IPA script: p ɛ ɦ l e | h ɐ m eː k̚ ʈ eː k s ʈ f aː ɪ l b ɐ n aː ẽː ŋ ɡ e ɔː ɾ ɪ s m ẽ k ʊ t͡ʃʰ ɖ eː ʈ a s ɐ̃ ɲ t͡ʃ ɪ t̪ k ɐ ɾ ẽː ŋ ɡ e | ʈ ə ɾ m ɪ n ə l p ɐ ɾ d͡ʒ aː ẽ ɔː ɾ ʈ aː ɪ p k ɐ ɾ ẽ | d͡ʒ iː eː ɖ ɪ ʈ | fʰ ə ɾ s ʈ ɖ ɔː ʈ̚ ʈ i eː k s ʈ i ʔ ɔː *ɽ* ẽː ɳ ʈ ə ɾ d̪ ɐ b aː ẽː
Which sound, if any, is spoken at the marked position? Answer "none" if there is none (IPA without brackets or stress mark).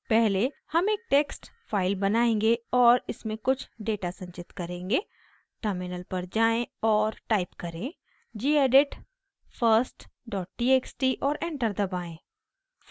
ɾ